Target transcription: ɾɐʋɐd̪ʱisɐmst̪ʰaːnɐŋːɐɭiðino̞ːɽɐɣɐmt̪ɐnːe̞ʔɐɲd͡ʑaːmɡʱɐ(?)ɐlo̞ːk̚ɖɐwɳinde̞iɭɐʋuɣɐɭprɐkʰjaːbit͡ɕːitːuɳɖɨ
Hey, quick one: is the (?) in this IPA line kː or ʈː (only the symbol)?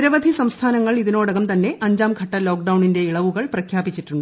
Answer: ʈː